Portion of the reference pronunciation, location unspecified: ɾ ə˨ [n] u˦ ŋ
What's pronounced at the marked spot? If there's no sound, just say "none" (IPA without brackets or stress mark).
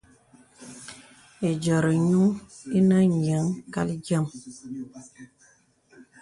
ɲ